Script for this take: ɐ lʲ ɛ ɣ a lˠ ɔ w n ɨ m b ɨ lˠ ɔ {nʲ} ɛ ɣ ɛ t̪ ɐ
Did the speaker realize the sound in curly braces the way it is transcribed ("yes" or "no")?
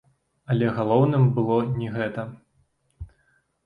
yes